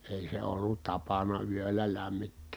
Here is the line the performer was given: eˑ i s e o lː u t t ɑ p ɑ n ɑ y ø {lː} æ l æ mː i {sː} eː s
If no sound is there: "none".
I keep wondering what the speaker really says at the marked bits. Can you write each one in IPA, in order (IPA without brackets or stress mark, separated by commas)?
lː, tː